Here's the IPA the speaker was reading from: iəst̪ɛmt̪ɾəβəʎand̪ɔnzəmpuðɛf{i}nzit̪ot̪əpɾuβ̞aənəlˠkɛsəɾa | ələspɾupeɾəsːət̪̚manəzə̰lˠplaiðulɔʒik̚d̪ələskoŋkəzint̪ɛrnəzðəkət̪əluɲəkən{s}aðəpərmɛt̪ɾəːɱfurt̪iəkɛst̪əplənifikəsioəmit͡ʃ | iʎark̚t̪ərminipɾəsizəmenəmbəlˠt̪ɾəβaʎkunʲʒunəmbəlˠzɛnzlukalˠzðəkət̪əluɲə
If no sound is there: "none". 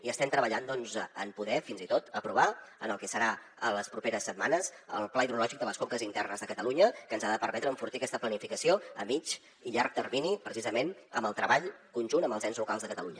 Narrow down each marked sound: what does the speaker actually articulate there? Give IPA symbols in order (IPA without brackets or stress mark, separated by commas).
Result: i, z